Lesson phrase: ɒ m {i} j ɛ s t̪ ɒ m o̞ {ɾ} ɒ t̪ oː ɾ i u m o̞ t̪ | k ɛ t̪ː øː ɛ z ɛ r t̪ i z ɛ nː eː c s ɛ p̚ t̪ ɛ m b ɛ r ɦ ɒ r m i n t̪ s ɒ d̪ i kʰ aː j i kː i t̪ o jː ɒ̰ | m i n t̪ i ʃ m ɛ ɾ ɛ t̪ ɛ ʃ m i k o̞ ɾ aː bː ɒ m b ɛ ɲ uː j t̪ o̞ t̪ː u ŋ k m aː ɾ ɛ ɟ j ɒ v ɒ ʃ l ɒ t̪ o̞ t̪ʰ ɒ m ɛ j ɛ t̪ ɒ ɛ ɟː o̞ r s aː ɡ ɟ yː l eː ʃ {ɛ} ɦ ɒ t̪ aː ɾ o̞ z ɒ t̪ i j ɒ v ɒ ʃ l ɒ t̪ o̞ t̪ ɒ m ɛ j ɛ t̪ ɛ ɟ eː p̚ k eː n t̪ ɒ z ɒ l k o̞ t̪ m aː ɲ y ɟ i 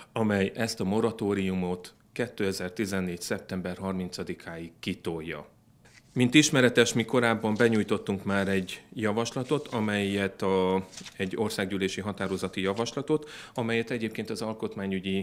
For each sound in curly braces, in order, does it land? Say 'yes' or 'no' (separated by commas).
no, yes, no